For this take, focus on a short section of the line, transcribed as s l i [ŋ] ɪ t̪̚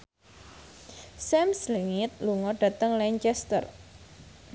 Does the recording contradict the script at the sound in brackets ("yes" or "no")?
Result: no